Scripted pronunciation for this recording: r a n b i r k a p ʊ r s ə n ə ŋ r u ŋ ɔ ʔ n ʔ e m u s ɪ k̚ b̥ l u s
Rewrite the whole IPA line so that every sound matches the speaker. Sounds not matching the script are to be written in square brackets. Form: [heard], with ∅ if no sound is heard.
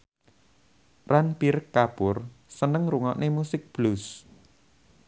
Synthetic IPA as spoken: r a n [p] i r k a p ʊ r s ə n ə ŋ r u ŋ ɔ ʔ n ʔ e m u s ɪ k̚ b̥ l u s